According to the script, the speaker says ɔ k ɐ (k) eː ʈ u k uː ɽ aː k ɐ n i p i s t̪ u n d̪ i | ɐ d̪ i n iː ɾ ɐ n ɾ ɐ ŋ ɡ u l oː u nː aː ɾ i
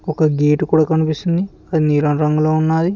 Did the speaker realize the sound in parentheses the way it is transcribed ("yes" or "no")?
no